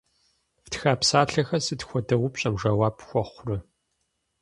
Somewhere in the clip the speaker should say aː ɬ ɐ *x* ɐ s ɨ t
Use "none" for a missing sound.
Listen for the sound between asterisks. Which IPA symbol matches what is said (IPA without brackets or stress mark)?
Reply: x